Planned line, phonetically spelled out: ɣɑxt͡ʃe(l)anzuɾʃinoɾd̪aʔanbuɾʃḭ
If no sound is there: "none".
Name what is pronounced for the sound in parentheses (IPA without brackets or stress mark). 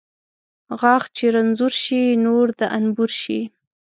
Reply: ɾ